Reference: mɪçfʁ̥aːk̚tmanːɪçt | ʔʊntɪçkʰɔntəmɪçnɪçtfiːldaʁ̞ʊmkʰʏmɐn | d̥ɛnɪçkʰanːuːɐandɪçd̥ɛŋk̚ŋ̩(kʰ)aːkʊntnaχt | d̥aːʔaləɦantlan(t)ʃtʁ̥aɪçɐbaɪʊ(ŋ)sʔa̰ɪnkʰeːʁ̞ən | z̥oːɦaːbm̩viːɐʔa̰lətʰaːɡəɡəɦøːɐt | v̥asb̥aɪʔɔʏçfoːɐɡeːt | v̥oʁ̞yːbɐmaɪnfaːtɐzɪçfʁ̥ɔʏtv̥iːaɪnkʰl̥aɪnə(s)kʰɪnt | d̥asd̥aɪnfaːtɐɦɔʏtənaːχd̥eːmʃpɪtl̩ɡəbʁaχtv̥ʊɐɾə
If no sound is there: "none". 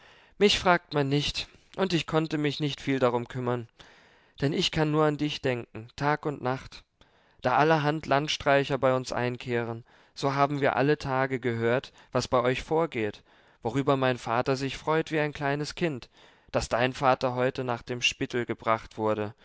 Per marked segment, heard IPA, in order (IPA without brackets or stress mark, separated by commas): tʰ, t, n, s